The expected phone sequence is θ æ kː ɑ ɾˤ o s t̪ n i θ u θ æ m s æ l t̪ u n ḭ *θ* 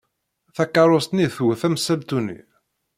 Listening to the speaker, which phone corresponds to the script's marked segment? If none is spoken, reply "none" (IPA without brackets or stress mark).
none